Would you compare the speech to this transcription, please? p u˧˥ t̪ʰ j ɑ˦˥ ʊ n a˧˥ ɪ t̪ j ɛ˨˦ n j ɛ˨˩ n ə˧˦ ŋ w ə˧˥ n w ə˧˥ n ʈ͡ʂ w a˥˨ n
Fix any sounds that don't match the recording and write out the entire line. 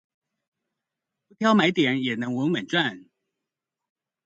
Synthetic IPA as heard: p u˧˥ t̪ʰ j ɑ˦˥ ʊ m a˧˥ ɪ t̪ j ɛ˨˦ n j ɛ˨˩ n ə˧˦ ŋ w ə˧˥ n w ə˨˩ n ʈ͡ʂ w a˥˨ n